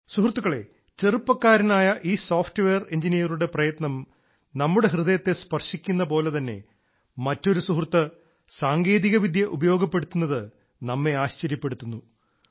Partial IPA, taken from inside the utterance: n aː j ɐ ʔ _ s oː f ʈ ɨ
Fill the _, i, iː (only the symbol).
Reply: iː